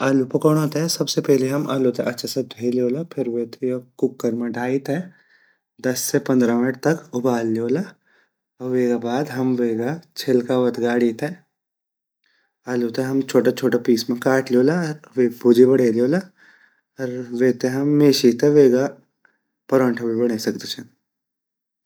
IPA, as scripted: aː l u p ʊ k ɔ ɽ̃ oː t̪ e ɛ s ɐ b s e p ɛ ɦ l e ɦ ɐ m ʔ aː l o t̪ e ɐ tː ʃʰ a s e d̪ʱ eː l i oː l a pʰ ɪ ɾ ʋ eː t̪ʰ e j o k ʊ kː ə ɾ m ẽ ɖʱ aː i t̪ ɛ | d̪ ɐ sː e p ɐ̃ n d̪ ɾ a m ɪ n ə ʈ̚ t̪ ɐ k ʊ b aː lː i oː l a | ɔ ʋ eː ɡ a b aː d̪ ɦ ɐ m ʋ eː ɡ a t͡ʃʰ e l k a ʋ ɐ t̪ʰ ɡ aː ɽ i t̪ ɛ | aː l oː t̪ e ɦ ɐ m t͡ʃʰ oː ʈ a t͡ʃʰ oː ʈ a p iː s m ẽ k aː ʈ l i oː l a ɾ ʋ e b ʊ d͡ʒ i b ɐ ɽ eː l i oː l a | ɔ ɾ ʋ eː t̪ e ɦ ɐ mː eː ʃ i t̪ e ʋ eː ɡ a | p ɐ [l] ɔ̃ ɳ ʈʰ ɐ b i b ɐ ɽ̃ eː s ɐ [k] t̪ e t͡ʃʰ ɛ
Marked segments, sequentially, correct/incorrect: incorrect: ɾ, correct

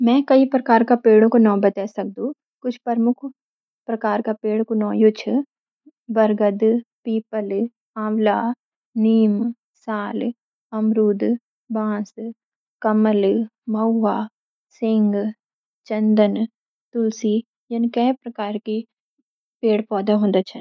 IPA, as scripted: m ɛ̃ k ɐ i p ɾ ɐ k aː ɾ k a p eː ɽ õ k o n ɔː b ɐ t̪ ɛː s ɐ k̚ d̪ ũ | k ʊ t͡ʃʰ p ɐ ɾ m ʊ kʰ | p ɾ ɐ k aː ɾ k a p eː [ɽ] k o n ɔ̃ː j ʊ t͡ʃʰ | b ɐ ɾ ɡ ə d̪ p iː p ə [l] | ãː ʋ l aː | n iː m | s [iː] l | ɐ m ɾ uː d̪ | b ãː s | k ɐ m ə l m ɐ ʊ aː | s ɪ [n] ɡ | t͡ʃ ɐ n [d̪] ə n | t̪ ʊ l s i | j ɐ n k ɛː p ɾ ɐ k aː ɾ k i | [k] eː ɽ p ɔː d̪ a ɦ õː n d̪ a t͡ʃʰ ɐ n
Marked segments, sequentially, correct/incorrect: correct, correct, incorrect: aː, incorrect: ŋ, correct, incorrect: p

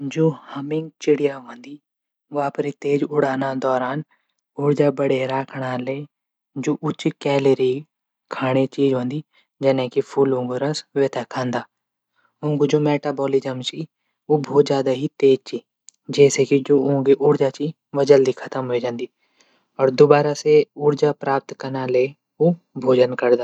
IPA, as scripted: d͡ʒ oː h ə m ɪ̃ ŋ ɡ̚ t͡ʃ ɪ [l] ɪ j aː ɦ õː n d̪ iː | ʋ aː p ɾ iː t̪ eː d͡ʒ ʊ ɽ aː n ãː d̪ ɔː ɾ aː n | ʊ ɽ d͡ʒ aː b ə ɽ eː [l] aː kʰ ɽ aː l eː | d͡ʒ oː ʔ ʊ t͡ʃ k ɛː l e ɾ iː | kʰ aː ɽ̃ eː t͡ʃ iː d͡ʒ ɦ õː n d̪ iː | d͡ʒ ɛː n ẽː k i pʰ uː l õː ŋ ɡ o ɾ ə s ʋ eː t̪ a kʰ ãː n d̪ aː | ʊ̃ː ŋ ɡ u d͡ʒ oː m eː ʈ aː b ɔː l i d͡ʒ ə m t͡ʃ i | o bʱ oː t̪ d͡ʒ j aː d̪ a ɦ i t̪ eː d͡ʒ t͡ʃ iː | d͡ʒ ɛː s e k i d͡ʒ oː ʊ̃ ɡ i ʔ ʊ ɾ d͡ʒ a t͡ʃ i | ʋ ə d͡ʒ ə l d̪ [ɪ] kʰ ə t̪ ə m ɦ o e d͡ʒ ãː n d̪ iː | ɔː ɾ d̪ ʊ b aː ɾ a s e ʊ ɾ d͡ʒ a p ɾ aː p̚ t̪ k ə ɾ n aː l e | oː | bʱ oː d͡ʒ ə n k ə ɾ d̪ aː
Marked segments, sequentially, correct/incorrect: incorrect: ɽ, incorrect: ɾ, incorrect: i

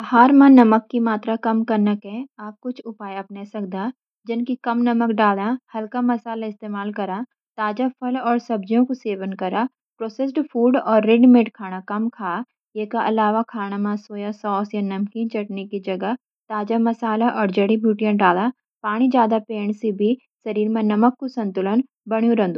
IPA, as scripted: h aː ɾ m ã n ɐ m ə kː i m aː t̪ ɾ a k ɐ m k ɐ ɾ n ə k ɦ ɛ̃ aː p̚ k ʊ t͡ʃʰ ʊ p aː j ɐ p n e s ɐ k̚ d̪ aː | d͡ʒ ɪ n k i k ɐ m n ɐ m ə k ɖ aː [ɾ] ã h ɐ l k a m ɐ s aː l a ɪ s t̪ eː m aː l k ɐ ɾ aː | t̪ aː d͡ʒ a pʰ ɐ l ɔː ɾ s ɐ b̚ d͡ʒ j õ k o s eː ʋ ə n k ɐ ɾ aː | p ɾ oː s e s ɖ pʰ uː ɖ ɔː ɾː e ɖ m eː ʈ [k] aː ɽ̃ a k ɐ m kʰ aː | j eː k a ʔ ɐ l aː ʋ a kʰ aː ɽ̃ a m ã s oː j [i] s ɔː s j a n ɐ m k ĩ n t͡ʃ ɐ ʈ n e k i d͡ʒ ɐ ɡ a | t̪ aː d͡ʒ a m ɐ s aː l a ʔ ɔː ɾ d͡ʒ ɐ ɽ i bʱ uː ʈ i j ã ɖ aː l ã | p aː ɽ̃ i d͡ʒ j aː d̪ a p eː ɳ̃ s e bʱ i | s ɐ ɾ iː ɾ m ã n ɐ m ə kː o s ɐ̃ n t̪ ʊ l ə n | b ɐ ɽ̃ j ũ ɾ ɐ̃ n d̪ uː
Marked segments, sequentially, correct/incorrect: incorrect: l, incorrect: kʰ, incorrect: a

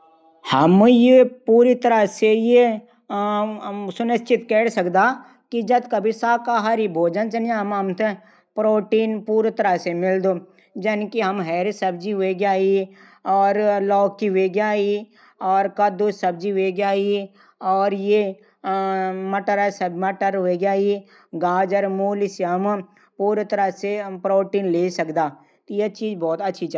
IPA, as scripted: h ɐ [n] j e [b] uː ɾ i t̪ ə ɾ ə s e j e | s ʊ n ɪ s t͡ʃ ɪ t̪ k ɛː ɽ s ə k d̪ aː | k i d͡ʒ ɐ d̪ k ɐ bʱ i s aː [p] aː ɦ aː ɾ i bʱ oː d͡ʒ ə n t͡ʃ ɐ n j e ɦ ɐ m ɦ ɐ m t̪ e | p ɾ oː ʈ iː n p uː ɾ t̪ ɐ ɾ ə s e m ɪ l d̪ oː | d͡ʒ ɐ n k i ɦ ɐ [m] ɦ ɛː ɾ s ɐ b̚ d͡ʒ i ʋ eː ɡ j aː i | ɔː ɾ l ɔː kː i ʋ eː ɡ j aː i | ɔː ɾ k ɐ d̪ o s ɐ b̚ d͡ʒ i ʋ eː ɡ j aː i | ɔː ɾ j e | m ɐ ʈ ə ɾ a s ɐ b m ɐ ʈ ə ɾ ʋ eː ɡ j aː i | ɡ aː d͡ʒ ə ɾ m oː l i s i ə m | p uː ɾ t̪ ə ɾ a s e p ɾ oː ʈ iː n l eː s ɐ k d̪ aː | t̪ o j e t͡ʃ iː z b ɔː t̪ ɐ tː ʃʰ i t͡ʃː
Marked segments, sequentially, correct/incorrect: incorrect: m, incorrect: p, incorrect: k, correct

